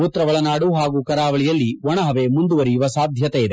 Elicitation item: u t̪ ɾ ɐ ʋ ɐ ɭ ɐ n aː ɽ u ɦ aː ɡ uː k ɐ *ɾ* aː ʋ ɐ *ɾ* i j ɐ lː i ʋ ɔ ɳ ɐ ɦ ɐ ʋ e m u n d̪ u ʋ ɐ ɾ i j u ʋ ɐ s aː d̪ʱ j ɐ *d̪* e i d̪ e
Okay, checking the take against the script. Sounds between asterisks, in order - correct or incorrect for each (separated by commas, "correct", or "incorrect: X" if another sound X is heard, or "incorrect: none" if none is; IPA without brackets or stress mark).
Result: correct, incorrect: ɭ, incorrect: t̪